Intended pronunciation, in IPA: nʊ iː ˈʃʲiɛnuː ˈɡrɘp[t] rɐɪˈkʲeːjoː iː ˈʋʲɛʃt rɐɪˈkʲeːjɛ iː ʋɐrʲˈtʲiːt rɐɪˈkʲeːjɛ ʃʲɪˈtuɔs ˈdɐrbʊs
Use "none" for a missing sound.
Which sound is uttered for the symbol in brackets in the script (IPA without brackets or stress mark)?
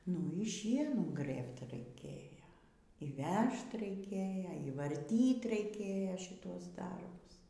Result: t